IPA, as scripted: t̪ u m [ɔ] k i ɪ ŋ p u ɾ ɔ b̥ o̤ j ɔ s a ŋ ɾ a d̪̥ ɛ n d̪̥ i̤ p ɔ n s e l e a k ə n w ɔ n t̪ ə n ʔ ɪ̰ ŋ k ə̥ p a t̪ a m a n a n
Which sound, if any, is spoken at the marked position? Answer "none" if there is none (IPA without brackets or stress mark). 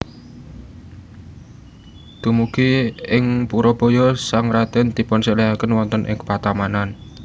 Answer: u